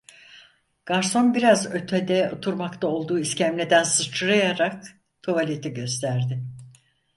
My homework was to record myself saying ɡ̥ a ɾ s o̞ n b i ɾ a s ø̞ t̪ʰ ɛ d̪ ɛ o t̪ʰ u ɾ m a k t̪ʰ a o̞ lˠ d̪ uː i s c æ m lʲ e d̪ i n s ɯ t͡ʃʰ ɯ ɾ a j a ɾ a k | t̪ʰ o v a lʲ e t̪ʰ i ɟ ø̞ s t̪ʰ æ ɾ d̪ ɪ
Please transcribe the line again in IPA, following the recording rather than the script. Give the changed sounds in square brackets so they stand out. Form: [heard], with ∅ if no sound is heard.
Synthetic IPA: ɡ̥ a ɾ s o̞ n b i ɾ a [z] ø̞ t̪ʰ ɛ d̪ ɛ o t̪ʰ u ɾ m a k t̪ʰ a o̞ lˠ d̪ uː i s c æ m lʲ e d̪ [æ] n s ɯ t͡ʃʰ ɯ ɾ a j a ɾ a k | t̪ʰ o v a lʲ e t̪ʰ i ɟ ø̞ s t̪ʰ æ ɾ d̪ ɪ